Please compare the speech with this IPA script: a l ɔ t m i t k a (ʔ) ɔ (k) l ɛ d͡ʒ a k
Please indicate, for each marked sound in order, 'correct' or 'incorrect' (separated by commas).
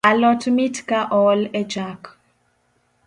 correct, incorrect